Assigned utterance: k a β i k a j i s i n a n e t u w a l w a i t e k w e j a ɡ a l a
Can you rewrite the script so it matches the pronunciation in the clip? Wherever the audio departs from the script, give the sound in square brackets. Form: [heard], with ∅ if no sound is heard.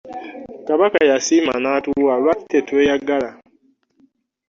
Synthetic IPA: k a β [a] k a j [a] s i [m] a n [a] t u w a l w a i t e [t] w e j a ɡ a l a